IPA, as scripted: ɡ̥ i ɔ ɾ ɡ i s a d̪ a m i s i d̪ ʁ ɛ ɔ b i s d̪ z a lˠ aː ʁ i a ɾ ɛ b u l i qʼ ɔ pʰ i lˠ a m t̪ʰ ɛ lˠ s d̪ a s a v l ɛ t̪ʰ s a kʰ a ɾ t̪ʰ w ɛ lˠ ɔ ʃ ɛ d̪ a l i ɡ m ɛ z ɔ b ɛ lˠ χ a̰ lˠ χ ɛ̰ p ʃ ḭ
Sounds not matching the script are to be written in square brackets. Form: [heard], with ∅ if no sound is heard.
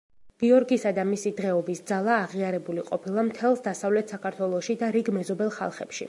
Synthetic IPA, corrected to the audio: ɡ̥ i ɔ ɾ ɡ i s a d̪ a m i s i d̪ ʁ ɛ ɔ b i s d̪ z a lˠ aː ʁ i a ɾ ɛ b u l i qʼ ɔ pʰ i lˠ a m t̪ʰ ɛ lˠ s d̪ a s a v l ɛ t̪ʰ s a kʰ a ɾ t̪ʰ w ɛ lˠ ɔ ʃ [i] d̪ a [ɾ] i ɡ m ɛ z ɔ b ɛ lˠ χ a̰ lˠ χ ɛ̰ p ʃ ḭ